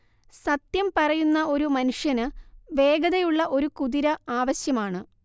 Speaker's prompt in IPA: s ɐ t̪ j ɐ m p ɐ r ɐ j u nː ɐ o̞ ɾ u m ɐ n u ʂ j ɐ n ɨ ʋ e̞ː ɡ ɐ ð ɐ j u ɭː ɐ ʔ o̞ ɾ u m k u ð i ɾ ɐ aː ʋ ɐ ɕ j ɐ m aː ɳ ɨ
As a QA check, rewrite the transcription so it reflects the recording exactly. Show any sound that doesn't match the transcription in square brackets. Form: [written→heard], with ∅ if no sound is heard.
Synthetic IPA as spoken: s ɐ t̪ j ɐ m p ɐ r ɐ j u nː ɐ o̞ ɾ u m ɐ n u ʂ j ɐ n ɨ ʋ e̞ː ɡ ɐ ð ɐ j u ɭː ɐ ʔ o̞ ɾ u [m→∅] k u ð i ɾ ɐ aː ʋ ɐ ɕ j ɐ m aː ɳ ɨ